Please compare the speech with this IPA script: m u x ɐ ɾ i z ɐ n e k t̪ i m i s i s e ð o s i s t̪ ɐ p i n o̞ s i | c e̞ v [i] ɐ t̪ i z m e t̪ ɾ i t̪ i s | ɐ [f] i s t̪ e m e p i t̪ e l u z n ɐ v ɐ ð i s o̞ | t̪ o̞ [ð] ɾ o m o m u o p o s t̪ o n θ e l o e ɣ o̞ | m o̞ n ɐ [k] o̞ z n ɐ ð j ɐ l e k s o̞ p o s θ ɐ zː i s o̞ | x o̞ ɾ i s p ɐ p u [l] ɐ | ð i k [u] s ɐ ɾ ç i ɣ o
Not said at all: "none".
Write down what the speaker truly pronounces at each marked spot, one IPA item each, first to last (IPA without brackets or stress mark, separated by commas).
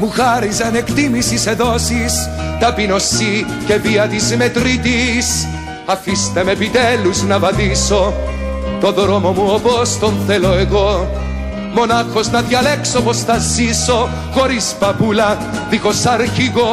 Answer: i, f, ð, x, l, o